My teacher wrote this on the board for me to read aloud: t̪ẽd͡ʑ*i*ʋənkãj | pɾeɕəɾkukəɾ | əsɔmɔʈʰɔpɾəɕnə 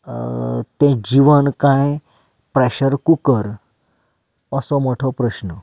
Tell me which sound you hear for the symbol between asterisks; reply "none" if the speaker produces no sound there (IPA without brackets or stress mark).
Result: i